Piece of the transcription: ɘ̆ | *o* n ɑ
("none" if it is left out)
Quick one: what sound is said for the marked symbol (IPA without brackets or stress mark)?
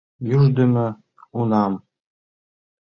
u